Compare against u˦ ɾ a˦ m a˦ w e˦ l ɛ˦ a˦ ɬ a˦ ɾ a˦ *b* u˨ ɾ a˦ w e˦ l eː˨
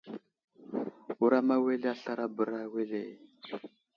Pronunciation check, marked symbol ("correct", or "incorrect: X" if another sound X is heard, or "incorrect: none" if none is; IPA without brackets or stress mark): correct